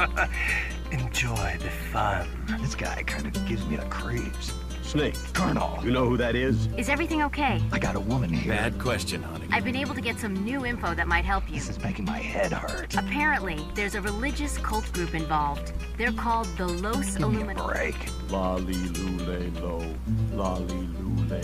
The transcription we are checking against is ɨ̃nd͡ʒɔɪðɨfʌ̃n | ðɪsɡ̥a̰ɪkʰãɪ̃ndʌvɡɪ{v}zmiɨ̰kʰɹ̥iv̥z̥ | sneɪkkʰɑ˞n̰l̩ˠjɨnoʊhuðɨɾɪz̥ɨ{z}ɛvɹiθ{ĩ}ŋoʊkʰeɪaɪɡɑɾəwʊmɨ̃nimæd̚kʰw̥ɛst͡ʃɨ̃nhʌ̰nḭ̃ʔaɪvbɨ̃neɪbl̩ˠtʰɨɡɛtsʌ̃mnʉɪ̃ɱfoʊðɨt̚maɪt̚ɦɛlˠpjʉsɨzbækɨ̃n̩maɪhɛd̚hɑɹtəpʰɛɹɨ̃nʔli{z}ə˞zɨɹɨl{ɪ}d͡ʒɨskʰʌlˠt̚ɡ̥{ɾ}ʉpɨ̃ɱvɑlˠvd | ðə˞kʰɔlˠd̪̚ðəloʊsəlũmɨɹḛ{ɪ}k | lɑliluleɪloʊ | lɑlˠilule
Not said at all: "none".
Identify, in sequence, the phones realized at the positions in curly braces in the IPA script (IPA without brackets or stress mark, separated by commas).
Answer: v, z, ɪ̃, ð, ɪ, ɹ, ɪ